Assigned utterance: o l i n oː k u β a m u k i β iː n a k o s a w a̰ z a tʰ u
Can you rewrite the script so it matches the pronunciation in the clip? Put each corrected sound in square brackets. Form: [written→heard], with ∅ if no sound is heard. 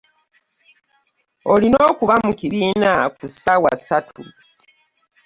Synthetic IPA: o l i n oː k u β a m u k i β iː n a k [o→u] s a w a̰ [z→s] a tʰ u